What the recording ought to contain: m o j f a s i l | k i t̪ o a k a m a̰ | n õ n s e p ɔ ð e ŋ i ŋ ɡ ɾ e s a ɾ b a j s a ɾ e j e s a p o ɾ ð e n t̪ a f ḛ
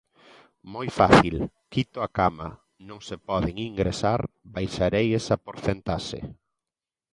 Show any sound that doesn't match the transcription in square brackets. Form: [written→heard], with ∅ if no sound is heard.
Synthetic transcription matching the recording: m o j f a [s→θ] i l | k i t̪ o a k a m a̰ | n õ [n→ŋ] s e p ɔ ð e ŋ i ŋ ɡ ɾ e s a ɾ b a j [s→ʃ] a ɾ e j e s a p o ɾ [ð→θ] e n t̪ a [f→ʃ] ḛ